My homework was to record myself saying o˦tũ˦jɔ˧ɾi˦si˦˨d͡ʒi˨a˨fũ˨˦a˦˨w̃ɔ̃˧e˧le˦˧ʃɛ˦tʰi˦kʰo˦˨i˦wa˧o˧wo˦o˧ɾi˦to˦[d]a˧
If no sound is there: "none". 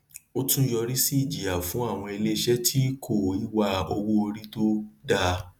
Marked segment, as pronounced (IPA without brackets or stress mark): d